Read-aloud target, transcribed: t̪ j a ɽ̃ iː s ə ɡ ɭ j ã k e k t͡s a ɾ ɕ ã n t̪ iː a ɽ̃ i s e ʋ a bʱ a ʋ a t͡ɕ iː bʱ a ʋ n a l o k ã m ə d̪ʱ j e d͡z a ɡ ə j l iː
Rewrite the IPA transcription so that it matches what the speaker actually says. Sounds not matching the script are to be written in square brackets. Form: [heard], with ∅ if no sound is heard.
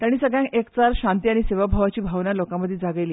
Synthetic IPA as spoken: t̪ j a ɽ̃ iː s ə ɡ ɭ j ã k e k t͡s a ɾ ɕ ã n t̪ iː a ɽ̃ i s e ʋ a bʱ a ʋ a t͡ɕ iː bʱ a ʋ n a l o k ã m ə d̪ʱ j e d͡z a ɡ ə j l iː